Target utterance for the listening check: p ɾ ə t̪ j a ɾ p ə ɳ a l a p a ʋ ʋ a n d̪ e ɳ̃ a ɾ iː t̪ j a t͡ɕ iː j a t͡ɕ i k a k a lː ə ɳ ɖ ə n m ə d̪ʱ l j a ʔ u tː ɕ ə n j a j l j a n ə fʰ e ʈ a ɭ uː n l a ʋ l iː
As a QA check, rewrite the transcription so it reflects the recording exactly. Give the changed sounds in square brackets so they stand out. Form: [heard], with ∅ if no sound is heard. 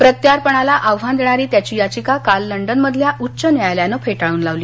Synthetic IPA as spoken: p ɾ ə t̪ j a ɾ p ə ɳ a l a [ʔ] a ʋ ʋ a n d̪ e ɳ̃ a ɾ iː t̪ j a t͡ɕ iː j a t͡ɕ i k a k a lː ə ɳ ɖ ə n m ə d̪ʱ l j a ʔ u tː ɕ ə n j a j l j a n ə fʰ e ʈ a ɭ uː n l a ʋ l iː